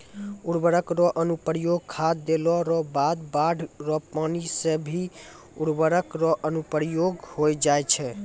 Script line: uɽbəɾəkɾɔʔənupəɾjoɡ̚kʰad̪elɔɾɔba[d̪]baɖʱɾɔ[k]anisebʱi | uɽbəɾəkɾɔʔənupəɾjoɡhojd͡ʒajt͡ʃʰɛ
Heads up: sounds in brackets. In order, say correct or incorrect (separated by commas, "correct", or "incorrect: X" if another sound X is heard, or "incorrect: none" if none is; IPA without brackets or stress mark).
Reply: correct, incorrect: p